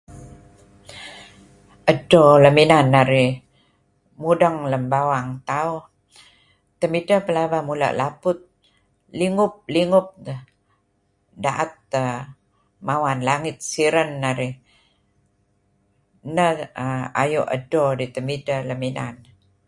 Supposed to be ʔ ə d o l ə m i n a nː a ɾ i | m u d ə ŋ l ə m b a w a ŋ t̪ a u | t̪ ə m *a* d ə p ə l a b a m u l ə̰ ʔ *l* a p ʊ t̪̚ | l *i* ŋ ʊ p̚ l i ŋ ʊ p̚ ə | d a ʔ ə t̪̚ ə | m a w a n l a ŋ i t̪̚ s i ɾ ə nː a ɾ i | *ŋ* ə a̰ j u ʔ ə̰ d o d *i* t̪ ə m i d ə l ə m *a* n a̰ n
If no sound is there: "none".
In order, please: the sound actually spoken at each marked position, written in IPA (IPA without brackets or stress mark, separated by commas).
i, l, i, n, i, i